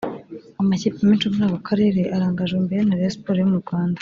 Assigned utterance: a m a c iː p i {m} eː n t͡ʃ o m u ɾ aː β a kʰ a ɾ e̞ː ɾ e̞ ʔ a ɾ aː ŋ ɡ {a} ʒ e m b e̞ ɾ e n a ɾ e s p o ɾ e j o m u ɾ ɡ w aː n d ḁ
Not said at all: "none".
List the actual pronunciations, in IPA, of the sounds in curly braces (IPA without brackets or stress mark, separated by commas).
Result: m, a